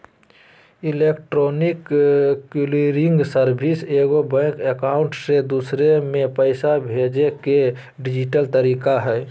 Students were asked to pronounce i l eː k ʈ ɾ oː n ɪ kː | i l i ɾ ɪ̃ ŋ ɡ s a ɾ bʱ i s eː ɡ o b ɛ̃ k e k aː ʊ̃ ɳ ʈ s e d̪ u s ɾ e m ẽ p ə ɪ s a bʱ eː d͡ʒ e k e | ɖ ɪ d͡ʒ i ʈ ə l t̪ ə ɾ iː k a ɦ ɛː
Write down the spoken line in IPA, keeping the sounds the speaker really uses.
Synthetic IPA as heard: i l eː k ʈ ɾ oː n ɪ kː | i l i ɾ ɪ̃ ŋ ɡ s ə ɾ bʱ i s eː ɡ o b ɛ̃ k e k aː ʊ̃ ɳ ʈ s e d̪ u s ɾ e m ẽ p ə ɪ s a bʱ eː d͡ʒ e k e | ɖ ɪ d͡ʒ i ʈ ə l t̪ ə ɾ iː k a ɦ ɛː